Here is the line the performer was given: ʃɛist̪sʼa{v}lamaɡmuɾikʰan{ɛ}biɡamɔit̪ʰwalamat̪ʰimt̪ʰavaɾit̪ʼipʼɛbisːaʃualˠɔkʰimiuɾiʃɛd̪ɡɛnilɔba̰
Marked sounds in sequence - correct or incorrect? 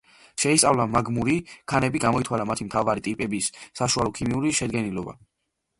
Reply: correct, correct

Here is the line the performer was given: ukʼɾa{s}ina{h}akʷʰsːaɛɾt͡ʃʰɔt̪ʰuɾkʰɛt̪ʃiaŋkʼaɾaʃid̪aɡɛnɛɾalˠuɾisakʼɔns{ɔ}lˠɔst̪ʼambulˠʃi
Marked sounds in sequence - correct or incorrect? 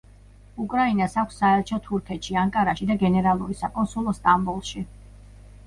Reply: incorrect: none, incorrect: s, incorrect: u

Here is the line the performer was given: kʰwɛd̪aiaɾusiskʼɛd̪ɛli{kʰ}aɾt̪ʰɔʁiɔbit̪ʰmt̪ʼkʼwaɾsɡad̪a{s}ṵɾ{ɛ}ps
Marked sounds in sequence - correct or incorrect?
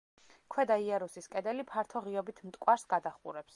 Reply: incorrect: pʰ, incorrect: χ, correct

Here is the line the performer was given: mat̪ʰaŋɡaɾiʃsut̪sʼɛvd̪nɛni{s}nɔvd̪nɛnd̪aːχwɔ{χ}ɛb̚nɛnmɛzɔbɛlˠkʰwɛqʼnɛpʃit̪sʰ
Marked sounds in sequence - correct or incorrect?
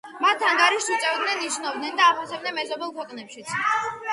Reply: incorrect: ʃ, incorrect: s

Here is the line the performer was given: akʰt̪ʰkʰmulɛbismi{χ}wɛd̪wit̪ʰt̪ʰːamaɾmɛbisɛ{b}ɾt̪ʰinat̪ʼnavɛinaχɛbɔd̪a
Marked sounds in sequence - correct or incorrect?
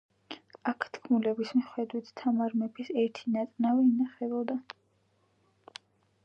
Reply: correct, incorrect: none

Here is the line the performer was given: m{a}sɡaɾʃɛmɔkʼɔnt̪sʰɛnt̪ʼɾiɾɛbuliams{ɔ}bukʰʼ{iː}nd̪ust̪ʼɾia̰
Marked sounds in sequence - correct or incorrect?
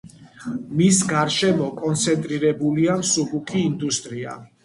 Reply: incorrect: i, incorrect: u, correct

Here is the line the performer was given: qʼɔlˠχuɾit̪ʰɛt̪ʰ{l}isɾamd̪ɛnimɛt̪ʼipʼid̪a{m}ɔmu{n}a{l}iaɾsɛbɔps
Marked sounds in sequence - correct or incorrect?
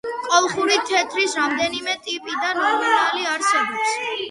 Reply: incorrect: ɾ, incorrect: n, correct, correct

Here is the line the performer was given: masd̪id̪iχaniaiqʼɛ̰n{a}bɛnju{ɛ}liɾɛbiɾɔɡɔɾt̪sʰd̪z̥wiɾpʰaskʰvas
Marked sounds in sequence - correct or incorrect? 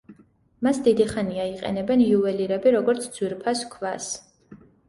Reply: incorrect: ɛ, correct

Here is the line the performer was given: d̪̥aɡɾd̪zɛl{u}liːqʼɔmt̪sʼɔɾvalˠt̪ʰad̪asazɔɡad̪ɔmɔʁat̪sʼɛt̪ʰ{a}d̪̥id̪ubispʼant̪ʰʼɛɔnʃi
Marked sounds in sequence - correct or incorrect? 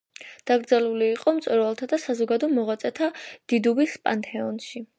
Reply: correct, correct

